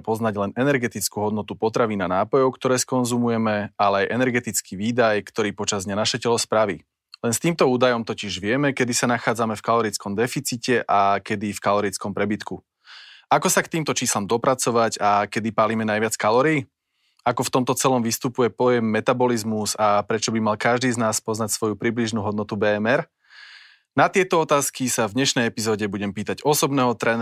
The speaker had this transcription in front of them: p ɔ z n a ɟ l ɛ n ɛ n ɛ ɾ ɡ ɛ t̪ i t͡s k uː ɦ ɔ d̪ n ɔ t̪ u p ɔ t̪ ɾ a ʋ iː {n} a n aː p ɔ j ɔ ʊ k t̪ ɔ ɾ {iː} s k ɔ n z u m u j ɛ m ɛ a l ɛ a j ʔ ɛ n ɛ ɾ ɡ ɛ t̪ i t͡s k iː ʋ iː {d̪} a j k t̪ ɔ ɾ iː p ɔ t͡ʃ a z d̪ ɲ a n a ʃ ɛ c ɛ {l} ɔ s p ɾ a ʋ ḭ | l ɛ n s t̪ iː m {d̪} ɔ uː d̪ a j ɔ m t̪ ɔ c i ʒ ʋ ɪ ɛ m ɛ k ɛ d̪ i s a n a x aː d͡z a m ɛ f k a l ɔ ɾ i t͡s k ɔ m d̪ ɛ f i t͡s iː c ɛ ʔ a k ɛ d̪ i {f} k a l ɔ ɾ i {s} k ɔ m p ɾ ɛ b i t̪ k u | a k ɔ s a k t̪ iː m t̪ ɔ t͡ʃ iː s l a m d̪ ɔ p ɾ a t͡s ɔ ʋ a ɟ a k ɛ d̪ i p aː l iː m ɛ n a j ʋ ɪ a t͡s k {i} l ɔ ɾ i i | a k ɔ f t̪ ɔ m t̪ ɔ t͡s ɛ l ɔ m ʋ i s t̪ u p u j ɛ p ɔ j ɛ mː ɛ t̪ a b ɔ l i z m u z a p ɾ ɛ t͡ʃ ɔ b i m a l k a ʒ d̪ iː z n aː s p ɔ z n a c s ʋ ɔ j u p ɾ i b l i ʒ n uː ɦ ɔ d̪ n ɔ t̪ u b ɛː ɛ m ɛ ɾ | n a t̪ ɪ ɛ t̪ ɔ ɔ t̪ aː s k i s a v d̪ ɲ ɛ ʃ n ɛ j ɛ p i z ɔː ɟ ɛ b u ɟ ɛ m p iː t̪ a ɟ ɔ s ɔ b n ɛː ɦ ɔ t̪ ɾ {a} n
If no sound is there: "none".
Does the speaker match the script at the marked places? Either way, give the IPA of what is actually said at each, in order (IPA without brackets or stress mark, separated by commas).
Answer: n, ɛː, d̪, l, t̪, f, t͡s, a, ɛ